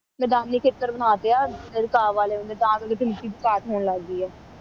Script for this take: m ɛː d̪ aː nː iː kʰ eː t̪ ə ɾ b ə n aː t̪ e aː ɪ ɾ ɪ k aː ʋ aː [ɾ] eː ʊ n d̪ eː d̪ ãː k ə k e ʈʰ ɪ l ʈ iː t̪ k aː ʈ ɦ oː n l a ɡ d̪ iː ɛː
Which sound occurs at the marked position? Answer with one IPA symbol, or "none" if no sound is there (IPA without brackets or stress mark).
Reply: l